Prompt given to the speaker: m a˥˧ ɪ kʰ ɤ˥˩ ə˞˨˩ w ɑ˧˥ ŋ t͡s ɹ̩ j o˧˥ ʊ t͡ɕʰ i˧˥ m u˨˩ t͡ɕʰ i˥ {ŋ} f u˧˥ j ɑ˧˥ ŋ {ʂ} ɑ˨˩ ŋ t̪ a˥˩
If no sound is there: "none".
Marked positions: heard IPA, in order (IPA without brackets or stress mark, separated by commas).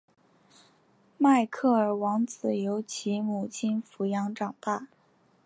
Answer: n, ʈ͡ʂ